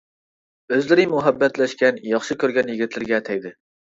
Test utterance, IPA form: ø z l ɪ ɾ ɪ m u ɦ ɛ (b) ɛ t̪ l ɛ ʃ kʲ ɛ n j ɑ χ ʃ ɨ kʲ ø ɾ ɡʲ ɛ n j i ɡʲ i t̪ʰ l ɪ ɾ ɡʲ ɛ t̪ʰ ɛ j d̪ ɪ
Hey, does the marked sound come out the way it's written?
no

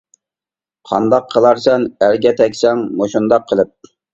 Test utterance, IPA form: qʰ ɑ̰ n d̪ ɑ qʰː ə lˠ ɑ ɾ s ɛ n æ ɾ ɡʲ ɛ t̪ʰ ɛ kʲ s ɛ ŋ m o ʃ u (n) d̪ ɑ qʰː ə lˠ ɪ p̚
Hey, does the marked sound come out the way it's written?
yes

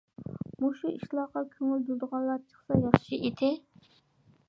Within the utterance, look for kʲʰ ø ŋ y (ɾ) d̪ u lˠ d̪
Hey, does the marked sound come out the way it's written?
no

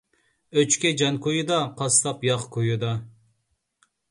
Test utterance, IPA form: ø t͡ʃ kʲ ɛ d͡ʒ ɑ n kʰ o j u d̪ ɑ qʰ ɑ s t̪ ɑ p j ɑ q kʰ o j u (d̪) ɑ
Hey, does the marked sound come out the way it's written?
yes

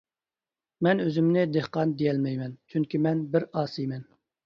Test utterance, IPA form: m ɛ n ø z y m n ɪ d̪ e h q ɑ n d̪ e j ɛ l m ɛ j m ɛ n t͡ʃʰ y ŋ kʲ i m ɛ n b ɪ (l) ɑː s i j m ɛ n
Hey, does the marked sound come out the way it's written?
no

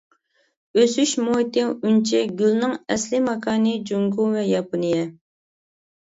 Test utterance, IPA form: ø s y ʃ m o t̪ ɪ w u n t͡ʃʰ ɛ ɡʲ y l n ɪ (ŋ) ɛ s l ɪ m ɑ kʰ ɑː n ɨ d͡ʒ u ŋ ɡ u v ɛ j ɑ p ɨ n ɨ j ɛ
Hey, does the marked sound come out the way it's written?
yes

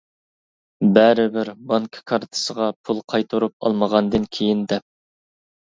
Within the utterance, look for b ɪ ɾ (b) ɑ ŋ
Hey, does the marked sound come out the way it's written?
yes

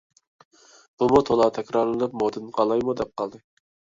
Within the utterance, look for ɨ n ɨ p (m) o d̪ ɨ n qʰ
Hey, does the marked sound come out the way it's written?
yes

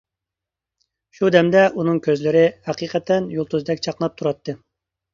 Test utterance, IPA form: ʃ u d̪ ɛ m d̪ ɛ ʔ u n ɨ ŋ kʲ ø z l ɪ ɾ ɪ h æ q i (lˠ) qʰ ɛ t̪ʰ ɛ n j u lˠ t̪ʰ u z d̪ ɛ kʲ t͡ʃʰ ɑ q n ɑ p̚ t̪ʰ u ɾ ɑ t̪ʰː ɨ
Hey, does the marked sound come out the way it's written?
no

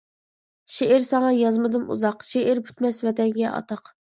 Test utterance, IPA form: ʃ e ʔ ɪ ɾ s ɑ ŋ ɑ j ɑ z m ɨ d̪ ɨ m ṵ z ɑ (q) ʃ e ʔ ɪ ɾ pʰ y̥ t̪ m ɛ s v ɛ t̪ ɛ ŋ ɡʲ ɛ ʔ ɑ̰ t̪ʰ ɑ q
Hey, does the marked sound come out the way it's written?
yes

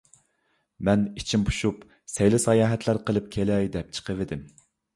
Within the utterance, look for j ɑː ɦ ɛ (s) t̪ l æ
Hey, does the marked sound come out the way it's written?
no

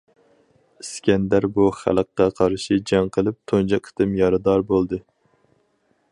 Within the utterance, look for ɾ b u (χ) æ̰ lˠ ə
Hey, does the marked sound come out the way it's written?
yes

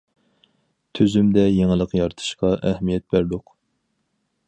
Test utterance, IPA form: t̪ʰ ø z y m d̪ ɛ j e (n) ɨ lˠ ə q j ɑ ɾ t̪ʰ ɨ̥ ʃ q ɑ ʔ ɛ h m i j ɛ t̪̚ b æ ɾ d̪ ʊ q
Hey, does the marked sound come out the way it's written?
no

